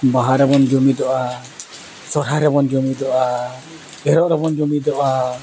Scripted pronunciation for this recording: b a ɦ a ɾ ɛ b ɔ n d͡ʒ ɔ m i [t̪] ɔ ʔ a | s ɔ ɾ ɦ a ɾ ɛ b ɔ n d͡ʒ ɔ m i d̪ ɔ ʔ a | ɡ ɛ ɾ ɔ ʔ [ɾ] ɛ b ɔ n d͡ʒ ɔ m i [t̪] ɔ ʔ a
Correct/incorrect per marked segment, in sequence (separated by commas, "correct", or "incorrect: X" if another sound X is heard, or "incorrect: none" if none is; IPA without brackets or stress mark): incorrect: d̪, correct, incorrect: d̪